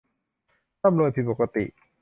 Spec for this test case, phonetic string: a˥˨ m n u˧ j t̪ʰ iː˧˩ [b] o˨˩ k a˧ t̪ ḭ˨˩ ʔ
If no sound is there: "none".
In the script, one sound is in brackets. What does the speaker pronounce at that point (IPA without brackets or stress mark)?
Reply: p